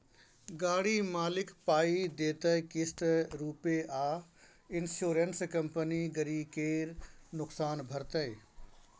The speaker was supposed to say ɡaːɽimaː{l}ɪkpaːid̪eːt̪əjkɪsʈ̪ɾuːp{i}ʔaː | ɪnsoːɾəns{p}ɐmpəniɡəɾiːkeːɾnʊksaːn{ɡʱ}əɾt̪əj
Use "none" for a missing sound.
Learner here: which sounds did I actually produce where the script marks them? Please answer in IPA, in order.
l, e, k, bʱ

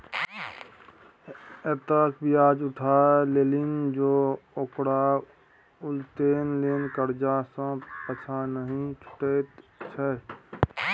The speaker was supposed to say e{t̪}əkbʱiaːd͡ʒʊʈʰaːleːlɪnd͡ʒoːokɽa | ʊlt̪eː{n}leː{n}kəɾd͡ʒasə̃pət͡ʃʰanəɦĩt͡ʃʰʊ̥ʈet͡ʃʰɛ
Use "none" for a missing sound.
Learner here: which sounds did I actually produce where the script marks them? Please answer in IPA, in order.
t̪, n, n

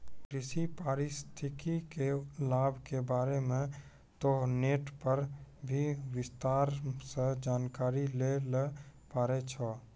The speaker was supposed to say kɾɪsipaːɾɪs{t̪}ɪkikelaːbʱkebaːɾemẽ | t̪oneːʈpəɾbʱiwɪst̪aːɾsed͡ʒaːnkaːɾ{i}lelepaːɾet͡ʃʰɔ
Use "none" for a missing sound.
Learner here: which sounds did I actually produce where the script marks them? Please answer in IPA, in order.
t̪ʰ, i

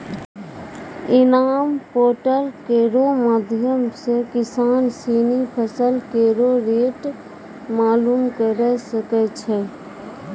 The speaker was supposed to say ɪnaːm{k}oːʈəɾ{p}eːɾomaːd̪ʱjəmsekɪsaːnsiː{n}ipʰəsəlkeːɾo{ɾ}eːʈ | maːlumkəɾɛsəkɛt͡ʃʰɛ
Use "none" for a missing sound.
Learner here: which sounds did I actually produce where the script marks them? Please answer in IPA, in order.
p, k, n, ɾ

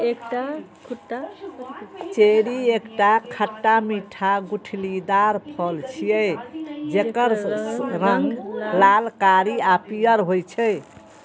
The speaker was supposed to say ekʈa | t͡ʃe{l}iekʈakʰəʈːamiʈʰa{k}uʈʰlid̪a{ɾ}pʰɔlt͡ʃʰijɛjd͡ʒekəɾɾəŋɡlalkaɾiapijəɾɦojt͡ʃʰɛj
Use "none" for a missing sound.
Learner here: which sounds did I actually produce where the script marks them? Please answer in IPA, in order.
ɾ, ɡ, ɾ

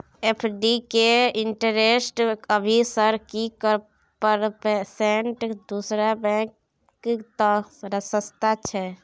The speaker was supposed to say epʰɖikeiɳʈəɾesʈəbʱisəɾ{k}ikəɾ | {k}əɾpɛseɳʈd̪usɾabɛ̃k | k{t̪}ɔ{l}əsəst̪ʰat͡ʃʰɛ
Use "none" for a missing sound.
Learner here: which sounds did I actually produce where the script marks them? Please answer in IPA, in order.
k, p, t̪, ɾ

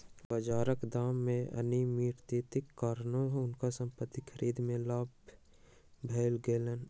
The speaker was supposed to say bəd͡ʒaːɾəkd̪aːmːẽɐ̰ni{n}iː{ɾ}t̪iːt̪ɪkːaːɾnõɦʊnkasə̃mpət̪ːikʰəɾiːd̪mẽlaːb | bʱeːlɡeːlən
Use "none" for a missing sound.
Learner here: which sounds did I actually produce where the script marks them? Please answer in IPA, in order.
m, ɾ

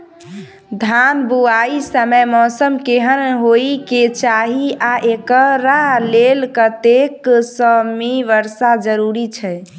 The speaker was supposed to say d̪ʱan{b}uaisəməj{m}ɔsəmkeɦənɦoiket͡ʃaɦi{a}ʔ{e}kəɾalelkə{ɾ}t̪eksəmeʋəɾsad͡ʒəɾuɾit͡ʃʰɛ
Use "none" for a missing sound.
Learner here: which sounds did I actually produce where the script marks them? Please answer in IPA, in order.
b, m, a, e, none

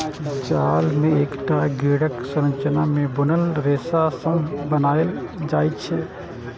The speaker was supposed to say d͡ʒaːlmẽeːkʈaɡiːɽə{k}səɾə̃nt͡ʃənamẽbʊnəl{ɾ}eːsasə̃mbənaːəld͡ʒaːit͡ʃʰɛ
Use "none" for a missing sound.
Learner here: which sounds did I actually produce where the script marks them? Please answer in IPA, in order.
k, ɾ

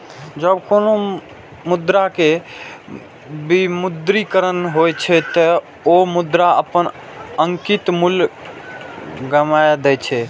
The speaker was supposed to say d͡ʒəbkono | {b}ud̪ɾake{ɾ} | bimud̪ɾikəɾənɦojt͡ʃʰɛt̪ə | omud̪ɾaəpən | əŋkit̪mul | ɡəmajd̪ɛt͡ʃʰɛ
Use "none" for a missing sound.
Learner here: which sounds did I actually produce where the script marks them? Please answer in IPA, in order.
m, none

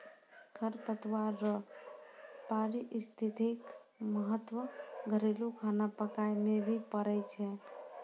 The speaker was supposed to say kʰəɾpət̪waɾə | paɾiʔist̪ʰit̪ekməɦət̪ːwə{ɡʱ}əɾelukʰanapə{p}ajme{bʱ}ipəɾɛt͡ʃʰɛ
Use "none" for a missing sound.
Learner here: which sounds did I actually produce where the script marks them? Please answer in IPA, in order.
ɡʱ, k, bʱ

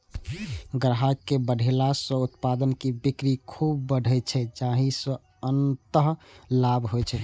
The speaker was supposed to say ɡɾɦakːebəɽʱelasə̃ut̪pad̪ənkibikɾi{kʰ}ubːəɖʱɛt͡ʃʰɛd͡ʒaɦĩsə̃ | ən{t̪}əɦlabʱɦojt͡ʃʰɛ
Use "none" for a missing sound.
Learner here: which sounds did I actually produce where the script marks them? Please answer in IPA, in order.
kʰ, t̪

